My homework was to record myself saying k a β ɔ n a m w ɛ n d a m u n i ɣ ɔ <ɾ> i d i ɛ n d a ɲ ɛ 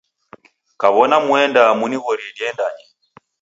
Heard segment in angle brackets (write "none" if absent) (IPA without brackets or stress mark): ɾ